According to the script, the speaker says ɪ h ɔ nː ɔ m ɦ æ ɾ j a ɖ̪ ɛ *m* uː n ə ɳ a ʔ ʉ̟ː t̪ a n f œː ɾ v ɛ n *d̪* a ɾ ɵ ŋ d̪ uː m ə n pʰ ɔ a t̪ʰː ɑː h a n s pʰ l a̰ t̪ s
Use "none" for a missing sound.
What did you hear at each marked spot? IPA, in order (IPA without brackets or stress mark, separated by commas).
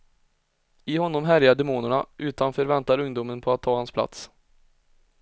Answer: m, t̪